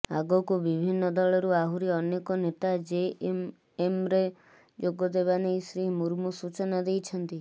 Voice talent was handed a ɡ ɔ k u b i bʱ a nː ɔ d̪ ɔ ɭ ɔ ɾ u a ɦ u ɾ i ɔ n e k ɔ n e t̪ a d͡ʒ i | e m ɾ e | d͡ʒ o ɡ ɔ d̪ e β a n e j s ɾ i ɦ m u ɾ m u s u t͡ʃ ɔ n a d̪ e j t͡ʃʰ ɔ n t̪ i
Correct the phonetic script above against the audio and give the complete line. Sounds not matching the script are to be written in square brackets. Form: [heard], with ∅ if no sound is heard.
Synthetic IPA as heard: a ɡ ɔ k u b i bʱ [i] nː ɔ d̪ ɔ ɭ ɔ ɾ u a ɦ u ɾ i ɔ n e k ɔ n e t̪ a d͡ʒ [e] | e m ɾ e | d͡ʒ o ɡ ɔ d̪ e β a n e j s ɾ i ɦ m u ɾ m u s u t͡ʃ ɔ n a d̪ e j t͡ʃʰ ɔ n t̪ i